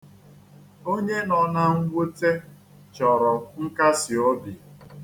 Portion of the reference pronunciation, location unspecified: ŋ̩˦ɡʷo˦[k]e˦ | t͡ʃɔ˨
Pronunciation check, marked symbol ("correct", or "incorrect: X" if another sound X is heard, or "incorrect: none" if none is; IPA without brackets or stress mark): incorrect: t